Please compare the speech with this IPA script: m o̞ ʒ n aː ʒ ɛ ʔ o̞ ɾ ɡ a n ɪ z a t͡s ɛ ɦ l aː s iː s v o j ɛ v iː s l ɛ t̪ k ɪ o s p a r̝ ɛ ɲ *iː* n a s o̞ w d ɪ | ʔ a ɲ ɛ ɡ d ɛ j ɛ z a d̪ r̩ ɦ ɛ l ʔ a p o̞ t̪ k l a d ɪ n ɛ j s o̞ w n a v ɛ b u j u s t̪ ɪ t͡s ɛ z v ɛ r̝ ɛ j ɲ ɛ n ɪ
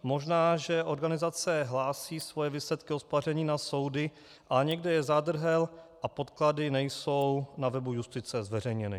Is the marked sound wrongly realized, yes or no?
no